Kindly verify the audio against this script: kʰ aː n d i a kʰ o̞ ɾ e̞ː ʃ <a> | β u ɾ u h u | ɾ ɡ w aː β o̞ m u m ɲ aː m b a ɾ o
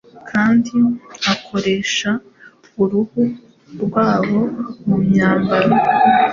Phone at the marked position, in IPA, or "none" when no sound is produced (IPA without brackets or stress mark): a